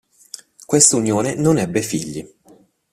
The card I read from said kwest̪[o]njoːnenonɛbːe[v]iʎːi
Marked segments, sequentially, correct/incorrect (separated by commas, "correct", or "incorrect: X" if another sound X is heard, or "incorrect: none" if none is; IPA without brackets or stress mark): incorrect: u, incorrect: f